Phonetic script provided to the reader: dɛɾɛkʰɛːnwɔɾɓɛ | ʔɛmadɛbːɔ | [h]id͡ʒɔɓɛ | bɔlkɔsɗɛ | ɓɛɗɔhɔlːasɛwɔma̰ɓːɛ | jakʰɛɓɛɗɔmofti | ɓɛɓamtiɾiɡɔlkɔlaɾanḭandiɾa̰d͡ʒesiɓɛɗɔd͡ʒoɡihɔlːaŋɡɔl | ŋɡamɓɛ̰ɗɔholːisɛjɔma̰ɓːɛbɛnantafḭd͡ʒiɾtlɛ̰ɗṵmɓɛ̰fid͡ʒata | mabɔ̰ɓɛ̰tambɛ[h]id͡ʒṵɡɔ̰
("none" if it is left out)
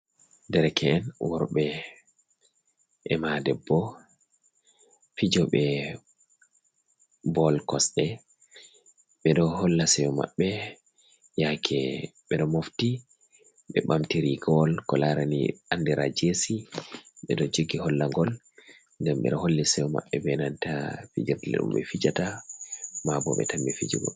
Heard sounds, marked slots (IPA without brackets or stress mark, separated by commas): f, f